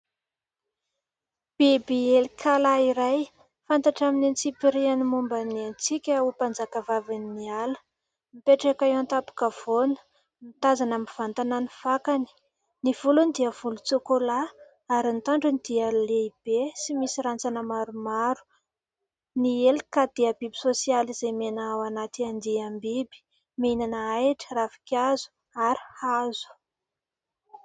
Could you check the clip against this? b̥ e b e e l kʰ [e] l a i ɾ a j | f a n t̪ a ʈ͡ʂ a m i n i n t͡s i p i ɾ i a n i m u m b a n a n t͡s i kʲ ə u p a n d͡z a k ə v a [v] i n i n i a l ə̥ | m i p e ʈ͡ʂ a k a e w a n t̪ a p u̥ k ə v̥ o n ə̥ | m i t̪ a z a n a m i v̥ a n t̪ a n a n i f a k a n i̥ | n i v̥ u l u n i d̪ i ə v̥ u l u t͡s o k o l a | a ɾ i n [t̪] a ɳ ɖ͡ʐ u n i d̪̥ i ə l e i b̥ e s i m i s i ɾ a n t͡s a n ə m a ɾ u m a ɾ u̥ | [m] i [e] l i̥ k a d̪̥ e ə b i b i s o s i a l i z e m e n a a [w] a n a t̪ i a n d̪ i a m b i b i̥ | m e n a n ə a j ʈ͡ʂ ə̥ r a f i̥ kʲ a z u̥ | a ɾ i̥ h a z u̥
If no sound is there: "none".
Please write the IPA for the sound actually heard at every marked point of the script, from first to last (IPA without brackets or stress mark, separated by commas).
a, v, t̪, n, e, w